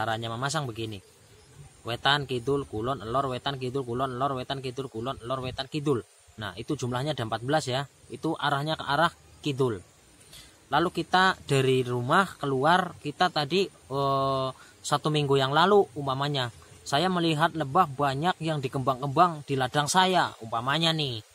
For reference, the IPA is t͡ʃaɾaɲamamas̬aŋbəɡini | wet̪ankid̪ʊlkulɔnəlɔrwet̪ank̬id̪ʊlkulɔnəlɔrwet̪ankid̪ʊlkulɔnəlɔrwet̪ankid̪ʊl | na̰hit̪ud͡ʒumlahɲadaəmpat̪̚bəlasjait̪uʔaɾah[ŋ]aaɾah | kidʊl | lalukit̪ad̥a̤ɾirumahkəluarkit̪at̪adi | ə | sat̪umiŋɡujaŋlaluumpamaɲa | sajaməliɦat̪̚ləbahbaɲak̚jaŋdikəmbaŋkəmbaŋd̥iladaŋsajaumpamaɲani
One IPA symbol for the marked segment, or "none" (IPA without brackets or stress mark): ɲ